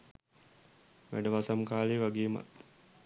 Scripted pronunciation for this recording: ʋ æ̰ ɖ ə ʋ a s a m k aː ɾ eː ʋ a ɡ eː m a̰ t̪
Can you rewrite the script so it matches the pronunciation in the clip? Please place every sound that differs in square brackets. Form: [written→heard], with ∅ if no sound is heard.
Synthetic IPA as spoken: ʋ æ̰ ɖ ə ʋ a s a m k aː [ɾ→l] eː ʋ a ɡ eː m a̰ t̪